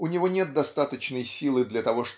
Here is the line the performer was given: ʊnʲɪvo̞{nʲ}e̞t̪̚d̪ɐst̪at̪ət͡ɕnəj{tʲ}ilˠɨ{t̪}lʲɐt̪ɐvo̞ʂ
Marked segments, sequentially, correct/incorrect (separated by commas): correct, incorrect, incorrect